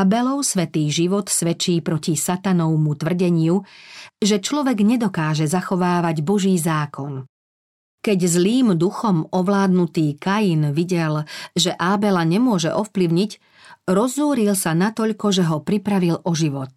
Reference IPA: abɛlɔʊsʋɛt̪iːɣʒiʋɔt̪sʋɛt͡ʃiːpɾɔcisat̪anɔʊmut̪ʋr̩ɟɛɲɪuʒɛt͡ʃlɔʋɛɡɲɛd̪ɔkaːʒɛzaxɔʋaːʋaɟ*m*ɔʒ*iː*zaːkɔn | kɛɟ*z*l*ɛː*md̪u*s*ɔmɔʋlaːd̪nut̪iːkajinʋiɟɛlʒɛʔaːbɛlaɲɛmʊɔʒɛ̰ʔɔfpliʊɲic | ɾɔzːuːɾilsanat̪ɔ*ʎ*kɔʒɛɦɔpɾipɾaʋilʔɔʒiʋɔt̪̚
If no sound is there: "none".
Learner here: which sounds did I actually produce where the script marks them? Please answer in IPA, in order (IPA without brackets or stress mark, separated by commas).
b, iː, z, iː, x, ʎ